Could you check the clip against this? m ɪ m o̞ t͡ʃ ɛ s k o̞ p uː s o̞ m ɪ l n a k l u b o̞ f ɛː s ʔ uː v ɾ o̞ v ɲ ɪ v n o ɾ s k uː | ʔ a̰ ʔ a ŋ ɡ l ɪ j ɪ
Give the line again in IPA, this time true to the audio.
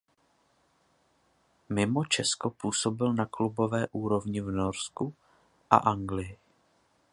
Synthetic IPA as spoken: m ɪ m o̞ t͡ʃ ɛ s k o̞ p uː s o̞ b ɪ l n a k l u b o̞ v ɛː ʔ uː ɾ o̞ v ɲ ɪ v n o ɾ s k u | ʔ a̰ ʔ a ŋ ɡ l ɪ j ɪ